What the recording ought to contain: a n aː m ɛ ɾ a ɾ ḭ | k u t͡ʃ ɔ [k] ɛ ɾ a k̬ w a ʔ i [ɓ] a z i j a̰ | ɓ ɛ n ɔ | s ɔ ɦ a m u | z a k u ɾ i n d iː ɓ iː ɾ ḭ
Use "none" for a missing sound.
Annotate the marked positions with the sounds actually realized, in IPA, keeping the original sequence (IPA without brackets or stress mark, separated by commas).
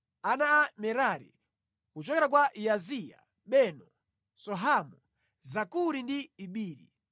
k, none